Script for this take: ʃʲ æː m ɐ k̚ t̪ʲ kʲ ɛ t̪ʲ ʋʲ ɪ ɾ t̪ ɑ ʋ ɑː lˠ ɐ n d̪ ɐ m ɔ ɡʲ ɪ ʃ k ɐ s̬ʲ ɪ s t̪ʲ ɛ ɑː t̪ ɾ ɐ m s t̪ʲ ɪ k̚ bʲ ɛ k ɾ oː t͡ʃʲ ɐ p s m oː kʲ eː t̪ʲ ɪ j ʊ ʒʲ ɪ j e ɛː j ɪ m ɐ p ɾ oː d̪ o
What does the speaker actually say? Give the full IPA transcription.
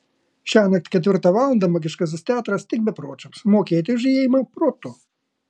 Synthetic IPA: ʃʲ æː n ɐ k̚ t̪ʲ kʲ ɛ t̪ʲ ʋʲ ɪ ɾ t̪ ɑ ʋ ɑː lˠ ɐ n d̪ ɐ m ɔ ɡʲ ɪ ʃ k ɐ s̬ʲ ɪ s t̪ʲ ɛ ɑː t̪ ɾ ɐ s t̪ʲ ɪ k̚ bʲ ɛ p ɾ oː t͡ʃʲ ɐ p s m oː kʲ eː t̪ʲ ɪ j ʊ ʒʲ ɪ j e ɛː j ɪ m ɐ p ɾ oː t̪ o